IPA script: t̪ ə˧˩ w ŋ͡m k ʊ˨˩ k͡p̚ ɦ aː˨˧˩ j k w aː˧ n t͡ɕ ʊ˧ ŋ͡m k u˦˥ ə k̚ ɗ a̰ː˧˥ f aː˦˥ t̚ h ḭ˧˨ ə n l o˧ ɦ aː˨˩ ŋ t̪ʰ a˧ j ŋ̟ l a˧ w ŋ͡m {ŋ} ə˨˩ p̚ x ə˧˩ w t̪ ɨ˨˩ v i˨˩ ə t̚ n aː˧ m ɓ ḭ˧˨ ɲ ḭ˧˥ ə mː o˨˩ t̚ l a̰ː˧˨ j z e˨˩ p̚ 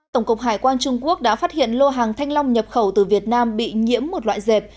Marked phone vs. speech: incorrect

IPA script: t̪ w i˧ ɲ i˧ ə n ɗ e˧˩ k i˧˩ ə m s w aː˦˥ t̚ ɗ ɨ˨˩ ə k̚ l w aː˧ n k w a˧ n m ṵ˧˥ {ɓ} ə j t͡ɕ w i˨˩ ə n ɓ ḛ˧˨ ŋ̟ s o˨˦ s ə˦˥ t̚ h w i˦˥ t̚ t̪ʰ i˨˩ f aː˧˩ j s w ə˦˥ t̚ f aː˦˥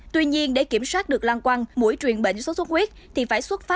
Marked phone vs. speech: incorrect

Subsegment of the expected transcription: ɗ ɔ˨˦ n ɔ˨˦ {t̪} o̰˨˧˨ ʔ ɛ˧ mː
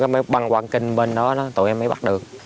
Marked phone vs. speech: correct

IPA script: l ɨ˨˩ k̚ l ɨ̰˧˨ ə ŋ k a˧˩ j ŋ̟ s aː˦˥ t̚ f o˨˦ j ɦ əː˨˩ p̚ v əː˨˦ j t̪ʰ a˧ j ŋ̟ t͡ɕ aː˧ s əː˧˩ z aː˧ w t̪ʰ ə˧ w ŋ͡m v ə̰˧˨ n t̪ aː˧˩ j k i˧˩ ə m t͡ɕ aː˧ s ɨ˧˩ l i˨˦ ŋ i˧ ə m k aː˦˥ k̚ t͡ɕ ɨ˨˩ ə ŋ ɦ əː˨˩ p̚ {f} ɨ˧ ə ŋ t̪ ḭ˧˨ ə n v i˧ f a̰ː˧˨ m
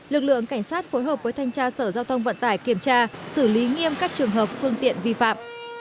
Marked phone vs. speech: correct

